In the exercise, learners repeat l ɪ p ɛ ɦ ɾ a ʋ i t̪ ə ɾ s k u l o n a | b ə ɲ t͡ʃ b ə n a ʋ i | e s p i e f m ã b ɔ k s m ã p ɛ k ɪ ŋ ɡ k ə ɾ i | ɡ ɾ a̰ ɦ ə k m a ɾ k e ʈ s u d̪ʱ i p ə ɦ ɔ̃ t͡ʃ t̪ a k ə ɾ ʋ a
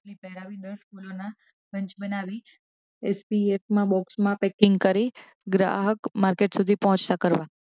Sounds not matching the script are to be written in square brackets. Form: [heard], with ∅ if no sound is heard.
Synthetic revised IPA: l [i] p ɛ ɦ ɾ a ʋ i [d̪] ə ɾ s k u l o n a | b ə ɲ t͡ʃ b ə n a ʋ i | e s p i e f m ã b ɔ k s m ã p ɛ k ɪ ŋ ɡ k ə ɾ i | ɡ ɾ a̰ ɦ ə k m a ɾ k e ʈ s u d̪ʱ i p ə ɦ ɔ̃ t͡ʃ t̪ a k ə ɾ ʋ a